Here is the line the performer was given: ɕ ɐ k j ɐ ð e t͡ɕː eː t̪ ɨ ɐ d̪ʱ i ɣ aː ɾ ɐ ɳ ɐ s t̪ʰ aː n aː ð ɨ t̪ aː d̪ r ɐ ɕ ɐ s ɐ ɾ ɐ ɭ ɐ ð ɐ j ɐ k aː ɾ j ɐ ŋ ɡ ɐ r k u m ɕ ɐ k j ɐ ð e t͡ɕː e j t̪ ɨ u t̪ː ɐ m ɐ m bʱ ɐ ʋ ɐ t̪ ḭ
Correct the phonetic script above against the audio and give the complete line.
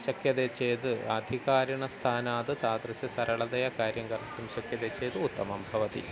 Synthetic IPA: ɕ ɐ k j ɐ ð e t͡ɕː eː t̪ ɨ ɐ d̪ʱ i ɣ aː ɾ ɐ ɳ ɐ s t̪ʰ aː n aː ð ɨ t̪ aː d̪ r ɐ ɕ ɐ s ɐ ɾ ɐ ɭ ɐ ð ɐ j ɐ k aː ɾ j ɐ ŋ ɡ ɐ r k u m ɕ ɐ k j ɐ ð e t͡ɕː e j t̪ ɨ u t̪ː ɐ m ɐ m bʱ ɐ ʋ ɐ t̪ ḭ